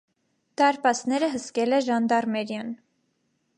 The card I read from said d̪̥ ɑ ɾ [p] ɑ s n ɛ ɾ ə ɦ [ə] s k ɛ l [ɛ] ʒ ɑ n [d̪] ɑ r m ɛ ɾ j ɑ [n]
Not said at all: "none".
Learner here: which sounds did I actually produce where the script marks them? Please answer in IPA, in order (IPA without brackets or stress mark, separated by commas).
p, ə, ɛ, d̪, n